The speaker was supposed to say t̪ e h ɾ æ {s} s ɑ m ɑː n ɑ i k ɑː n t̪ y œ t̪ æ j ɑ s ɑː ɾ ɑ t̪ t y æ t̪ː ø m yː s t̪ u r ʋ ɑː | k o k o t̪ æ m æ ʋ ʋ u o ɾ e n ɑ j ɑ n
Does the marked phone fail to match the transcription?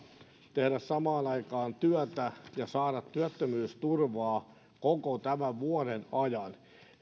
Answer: no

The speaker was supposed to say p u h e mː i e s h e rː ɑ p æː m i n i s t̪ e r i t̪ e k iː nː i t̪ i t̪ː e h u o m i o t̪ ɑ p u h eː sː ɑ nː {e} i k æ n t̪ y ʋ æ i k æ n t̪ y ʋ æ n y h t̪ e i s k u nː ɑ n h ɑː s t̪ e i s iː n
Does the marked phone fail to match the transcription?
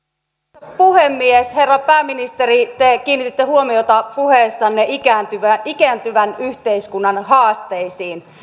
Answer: no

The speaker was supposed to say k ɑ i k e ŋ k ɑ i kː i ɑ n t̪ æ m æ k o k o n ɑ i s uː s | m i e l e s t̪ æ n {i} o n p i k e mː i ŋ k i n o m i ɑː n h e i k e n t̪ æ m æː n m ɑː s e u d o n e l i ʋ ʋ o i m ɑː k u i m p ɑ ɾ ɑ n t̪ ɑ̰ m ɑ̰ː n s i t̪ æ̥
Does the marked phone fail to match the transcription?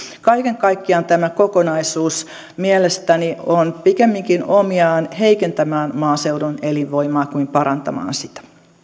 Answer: no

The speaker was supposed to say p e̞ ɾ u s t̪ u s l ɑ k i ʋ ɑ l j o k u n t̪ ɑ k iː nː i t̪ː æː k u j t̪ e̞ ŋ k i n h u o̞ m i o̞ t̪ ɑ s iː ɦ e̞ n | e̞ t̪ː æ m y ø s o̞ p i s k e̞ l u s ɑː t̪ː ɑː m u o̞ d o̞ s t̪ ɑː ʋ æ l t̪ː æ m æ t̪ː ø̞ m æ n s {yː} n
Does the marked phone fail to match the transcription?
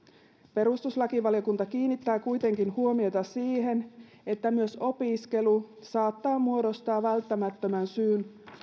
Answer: no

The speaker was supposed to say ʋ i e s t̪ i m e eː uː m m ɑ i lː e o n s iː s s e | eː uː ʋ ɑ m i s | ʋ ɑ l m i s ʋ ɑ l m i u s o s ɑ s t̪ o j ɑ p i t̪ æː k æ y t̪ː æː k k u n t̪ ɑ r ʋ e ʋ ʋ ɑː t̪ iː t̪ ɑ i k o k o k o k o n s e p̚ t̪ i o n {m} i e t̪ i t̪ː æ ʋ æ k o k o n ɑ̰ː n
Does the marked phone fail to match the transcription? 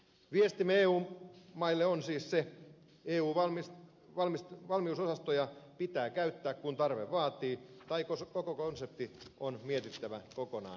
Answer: no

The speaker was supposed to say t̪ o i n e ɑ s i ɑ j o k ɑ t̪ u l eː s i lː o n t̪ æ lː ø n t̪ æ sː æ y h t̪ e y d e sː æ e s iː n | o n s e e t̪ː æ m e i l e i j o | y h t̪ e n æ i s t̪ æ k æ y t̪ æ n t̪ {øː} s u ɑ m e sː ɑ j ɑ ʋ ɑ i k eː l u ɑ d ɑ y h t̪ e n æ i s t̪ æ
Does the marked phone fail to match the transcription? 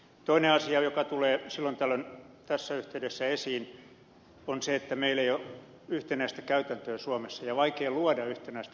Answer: no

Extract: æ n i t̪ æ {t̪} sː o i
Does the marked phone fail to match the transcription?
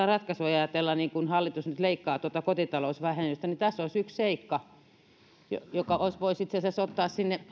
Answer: yes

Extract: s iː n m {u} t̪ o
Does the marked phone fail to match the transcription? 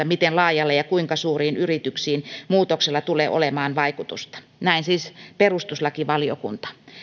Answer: yes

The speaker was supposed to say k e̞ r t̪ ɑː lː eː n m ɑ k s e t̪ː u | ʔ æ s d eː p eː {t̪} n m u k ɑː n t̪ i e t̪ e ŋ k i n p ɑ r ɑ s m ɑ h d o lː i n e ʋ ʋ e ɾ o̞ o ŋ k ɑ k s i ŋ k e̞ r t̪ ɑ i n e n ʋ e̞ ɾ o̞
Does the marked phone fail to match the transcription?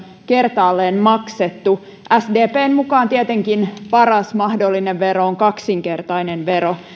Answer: yes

